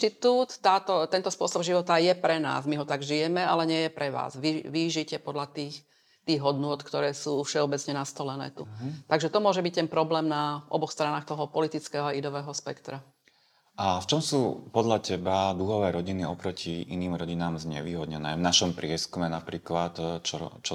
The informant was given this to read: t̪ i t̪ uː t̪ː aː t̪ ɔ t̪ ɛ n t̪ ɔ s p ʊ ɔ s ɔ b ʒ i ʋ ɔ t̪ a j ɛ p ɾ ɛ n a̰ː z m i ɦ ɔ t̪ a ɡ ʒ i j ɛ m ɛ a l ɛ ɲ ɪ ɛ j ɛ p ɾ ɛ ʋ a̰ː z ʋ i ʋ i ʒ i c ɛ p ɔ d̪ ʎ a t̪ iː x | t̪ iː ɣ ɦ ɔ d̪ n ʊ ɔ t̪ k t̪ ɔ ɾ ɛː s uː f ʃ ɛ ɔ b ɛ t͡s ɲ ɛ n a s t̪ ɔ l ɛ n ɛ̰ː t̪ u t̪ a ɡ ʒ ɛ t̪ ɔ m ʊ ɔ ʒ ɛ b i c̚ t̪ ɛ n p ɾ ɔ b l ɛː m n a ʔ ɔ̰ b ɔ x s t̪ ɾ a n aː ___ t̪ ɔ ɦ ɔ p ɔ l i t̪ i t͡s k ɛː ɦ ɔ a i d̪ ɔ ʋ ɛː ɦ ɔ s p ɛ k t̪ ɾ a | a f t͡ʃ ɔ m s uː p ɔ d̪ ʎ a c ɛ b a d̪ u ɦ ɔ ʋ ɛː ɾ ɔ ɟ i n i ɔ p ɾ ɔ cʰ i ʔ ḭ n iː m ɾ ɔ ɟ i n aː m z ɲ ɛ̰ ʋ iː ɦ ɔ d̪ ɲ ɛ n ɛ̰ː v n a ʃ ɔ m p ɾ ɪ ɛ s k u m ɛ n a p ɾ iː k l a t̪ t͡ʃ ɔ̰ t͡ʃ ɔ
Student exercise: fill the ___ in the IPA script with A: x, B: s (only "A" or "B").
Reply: A